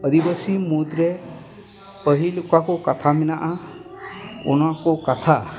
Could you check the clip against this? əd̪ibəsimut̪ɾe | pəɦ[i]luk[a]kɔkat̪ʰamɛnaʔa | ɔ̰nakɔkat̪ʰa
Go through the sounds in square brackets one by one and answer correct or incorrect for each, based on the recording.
correct, correct

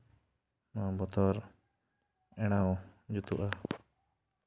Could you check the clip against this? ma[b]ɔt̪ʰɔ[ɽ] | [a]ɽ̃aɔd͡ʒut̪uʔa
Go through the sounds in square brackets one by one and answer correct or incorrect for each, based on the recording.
correct, incorrect: ɾ, incorrect: ɛ

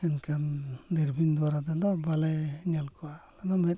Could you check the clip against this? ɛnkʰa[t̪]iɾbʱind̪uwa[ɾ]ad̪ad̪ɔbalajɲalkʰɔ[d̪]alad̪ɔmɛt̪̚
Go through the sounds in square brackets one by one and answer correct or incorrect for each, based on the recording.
incorrect: d̪, correct, incorrect: none

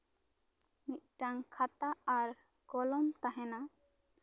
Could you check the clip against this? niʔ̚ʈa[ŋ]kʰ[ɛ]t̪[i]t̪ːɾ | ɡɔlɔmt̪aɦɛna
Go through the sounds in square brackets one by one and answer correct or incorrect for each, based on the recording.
correct, incorrect: a, incorrect: a

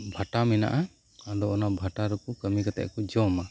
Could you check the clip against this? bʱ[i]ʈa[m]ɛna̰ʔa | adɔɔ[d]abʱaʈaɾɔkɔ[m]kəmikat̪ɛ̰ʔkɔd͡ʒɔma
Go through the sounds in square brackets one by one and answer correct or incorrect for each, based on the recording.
incorrect: a, correct, incorrect: n, incorrect: none

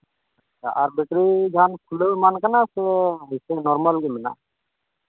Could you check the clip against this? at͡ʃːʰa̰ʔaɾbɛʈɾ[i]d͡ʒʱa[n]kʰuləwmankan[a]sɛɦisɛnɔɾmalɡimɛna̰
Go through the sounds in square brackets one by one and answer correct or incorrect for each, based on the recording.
correct, correct, correct

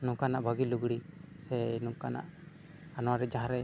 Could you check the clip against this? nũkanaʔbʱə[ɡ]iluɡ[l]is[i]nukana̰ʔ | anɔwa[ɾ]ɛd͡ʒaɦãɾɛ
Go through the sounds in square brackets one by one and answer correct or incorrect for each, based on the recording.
correct, incorrect: ɽ, incorrect: ɛ, correct

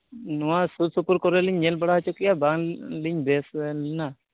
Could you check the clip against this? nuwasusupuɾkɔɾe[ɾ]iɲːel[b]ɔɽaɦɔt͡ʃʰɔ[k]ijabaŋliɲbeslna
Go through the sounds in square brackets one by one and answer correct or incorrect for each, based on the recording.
incorrect: l, correct, correct

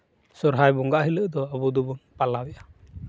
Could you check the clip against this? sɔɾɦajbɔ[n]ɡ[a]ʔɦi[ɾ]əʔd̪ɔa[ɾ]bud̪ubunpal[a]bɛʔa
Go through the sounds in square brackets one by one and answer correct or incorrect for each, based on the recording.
incorrect: ŋ, correct, incorrect: l, incorrect: none, correct

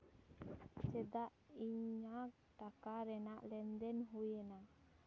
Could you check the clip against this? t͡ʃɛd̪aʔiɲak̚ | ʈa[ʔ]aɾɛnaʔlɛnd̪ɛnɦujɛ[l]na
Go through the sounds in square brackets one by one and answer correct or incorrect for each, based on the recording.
incorrect: k, incorrect: none

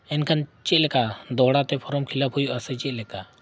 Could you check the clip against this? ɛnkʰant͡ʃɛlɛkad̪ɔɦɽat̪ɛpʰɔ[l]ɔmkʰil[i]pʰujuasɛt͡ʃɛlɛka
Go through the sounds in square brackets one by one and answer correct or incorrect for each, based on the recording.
incorrect: ɾ, incorrect: a

